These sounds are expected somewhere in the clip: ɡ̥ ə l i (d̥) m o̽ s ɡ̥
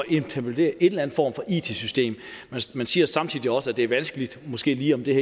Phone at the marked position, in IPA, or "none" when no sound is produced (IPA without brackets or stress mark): d̥